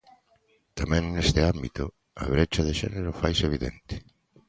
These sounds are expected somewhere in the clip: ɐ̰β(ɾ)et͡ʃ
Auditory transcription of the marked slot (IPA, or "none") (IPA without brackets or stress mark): ɾ